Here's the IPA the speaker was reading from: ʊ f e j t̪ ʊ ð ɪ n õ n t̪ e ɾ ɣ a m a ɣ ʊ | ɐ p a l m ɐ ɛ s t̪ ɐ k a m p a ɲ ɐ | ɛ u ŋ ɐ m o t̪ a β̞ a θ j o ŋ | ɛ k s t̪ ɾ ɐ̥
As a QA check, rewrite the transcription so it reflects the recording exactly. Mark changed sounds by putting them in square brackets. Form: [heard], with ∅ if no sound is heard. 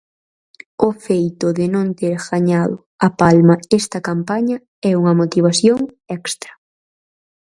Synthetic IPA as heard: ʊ f e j t̪ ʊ ð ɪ n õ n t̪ e ɾ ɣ a [ɲ] a [ð] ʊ | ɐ p a l m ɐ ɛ s t̪ ɐ k a m p a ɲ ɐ | ɛ u ŋ ɐ m o t̪ [i] β̞ a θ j o ŋ | ɛ k s t̪ ɾ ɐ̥